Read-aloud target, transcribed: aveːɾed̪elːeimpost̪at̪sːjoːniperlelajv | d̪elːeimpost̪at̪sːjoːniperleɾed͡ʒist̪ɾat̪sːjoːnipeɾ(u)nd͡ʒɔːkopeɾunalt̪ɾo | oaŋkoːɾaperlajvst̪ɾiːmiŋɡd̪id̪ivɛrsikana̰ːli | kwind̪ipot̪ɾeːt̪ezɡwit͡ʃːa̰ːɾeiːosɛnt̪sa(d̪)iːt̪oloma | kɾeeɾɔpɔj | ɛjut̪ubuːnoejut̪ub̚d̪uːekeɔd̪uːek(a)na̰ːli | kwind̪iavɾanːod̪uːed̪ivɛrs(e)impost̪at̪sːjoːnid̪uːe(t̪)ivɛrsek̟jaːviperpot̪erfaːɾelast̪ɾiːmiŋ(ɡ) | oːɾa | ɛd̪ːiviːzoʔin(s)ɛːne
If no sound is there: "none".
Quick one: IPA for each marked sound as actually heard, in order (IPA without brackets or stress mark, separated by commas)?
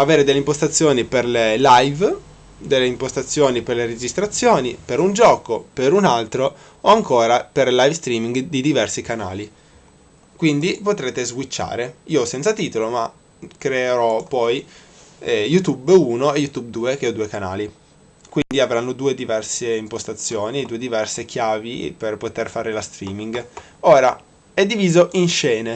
u, t̪, a, e, d̪, ɡ, ʃ